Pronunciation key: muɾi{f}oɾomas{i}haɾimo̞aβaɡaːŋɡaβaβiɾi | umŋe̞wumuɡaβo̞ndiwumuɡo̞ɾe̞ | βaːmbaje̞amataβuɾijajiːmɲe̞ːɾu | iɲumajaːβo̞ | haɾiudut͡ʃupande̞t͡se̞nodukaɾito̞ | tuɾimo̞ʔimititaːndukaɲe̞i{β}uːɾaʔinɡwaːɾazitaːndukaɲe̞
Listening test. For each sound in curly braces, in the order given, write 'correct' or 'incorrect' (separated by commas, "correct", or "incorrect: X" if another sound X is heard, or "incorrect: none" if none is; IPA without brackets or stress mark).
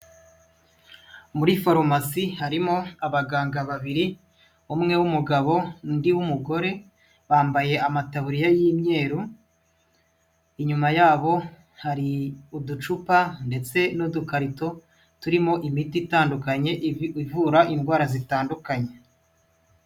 correct, correct, incorrect: v